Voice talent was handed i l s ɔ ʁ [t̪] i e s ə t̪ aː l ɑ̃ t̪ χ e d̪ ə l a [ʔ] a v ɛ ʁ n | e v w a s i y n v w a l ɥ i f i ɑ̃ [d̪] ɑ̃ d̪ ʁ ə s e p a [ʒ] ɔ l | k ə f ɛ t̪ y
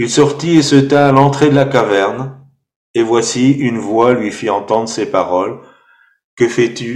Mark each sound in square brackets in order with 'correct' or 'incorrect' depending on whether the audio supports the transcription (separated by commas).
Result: correct, incorrect, incorrect, incorrect